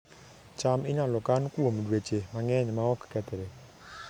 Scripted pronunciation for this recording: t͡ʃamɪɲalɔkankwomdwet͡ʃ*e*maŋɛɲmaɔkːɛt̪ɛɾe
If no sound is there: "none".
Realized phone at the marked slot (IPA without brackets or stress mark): e